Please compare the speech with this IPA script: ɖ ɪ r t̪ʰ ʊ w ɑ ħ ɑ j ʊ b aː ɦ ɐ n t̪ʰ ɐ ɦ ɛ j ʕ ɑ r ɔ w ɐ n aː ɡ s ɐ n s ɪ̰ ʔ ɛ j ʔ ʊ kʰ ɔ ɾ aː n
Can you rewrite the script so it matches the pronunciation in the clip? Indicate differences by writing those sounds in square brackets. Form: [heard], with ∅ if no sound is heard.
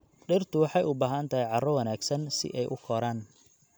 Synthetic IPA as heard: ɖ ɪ r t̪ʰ ʊ w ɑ ħ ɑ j ʊ b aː ɦ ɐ n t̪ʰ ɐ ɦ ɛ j ʕ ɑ r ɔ w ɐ n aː ɡ s ɐ n s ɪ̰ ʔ ɛ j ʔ ʊ kʰ ɔ ɾ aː n